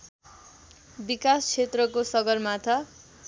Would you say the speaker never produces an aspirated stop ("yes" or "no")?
no